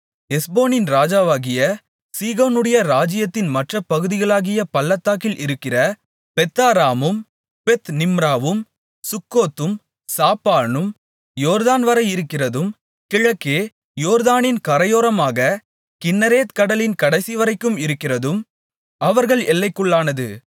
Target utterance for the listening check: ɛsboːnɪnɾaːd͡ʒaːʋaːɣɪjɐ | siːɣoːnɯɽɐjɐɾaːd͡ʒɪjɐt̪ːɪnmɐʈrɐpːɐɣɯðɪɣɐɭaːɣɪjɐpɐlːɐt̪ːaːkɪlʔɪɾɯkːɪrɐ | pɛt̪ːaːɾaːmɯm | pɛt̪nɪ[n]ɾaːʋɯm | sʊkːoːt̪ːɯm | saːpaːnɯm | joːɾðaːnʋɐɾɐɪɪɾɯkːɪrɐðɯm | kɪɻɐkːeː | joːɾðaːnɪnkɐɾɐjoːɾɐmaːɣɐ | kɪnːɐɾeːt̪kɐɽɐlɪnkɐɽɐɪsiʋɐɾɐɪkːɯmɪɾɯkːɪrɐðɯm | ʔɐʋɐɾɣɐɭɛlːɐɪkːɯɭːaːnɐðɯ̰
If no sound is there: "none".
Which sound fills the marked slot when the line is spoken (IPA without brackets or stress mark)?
m